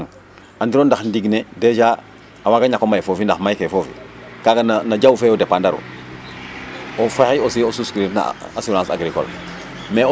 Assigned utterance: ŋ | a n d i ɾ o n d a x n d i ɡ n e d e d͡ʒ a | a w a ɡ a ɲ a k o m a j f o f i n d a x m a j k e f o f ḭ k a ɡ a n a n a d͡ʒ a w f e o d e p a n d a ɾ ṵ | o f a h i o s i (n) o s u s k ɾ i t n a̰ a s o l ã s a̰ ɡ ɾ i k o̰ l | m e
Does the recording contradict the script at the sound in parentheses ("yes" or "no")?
yes